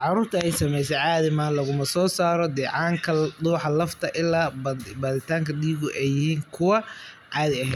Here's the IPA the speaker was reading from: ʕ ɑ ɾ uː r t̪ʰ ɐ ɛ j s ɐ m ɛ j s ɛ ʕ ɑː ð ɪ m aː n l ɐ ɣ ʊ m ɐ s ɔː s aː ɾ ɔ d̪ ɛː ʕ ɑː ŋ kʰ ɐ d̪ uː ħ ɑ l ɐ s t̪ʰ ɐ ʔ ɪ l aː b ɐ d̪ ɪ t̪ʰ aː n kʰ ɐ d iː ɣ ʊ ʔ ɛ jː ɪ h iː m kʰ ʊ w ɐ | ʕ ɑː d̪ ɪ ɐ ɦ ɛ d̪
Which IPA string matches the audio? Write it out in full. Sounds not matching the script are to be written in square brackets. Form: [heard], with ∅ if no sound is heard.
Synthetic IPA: ʕ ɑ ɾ uː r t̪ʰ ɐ ɛ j s ɐ m ɛ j s ɛ ʕ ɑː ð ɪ m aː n l ɐ ɣ ʊ m ɐ s ɔː s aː ɾ ɔ d̪ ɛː ʕ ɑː ŋ kʰ ɐ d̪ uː ħ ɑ l ɐ [f] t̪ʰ ɐ ʔ ɪ l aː b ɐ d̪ ɪ t̪ʰ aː [ŋ] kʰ ɐ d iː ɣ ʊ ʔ ɛ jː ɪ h iː [ŋ] kʰ ʊ w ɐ | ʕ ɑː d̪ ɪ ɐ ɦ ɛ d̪